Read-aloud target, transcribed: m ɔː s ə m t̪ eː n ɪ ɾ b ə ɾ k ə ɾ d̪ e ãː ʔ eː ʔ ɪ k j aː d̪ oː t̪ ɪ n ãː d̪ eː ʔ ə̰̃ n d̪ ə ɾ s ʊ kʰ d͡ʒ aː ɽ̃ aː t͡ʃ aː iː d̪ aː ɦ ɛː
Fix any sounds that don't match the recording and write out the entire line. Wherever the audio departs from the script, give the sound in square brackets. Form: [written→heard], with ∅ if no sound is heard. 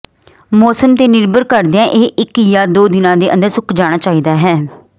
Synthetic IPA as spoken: m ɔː s ə m t̪ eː n ɪ ɾ b ə ɾ k ə ɾ d̪ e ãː ʔ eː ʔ ɪ k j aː d̪ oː [t̪→d̪] ɪ n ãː d̪ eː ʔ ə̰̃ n d̪ ə ɾ s ʊ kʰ d͡ʒ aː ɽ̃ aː t͡ʃ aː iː d̪ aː ɦ ɛː